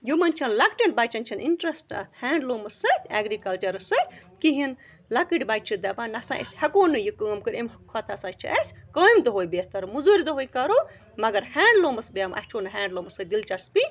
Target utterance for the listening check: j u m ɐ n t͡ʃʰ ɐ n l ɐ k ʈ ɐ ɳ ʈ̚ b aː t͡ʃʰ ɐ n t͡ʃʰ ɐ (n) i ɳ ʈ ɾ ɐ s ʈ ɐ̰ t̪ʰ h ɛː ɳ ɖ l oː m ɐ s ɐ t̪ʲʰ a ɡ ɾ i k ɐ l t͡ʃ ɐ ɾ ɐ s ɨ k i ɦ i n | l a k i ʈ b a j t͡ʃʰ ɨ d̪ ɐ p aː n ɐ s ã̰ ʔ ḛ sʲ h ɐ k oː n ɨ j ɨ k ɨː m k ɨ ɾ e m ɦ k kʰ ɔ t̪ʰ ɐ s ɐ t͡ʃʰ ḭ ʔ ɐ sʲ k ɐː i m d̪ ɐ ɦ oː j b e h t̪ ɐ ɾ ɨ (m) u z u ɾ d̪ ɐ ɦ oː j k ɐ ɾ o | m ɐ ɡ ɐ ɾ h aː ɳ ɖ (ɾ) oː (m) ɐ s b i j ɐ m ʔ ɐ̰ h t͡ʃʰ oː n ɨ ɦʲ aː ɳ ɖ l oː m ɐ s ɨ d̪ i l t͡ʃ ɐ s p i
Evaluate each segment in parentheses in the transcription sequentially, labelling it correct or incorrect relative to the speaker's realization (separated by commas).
correct, correct, incorrect, correct